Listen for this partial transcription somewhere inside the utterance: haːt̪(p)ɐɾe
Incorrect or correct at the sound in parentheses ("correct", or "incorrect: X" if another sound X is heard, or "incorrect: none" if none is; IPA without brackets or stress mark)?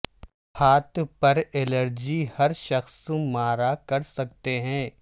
correct